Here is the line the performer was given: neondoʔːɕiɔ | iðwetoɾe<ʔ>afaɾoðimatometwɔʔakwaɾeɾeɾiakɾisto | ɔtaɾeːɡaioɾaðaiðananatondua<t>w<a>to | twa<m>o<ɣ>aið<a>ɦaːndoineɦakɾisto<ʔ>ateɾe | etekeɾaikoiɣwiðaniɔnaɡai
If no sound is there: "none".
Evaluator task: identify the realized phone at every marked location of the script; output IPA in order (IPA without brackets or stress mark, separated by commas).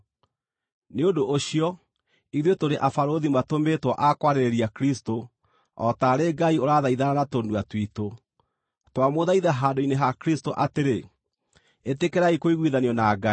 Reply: ʔ, t, i, m, ð, a, ʔ